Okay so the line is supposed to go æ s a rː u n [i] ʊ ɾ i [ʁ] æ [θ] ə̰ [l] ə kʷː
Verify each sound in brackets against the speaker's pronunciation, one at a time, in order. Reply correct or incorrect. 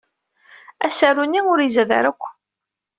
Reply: correct, incorrect, incorrect, incorrect

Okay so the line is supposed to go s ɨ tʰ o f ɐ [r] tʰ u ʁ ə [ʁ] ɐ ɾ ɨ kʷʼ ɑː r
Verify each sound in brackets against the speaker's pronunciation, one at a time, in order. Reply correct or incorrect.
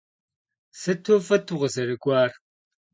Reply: incorrect, incorrect

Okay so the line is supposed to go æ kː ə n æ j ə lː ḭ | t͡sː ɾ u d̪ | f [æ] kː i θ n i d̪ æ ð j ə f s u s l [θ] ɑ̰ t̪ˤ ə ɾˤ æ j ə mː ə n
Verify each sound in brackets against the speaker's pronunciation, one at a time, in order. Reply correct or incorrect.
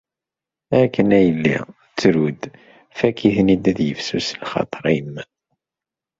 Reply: correct, incorrect

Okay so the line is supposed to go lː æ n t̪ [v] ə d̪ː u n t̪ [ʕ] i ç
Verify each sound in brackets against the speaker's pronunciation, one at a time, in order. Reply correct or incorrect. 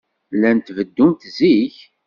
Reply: correct, incorrect

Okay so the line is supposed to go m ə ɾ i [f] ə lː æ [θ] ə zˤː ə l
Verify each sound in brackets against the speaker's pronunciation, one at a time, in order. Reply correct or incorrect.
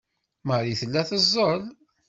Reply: incorrect, correct

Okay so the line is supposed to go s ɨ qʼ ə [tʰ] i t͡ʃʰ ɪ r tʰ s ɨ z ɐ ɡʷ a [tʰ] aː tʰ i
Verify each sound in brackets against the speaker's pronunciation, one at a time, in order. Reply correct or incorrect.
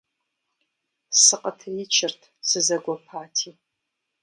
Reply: correct, incorrect

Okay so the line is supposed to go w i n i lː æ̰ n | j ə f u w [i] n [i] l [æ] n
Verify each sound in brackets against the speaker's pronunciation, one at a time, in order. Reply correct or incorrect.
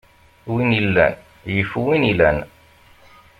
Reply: correct, correct, correct

